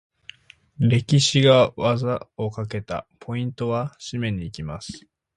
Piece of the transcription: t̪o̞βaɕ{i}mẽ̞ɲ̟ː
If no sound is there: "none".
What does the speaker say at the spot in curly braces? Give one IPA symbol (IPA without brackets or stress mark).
i